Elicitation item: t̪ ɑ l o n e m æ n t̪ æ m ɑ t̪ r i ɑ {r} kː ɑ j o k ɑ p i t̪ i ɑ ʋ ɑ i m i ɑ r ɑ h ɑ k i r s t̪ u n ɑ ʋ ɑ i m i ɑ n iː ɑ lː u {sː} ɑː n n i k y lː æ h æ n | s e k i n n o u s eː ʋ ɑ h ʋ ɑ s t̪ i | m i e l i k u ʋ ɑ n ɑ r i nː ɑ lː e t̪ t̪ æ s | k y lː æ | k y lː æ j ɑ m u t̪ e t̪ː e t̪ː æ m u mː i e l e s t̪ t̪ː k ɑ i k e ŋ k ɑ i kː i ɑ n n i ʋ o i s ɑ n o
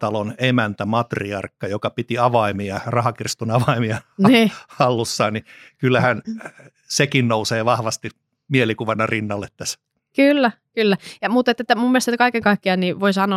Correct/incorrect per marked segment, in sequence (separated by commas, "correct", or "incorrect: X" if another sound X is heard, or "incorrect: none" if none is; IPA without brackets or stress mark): correct, correct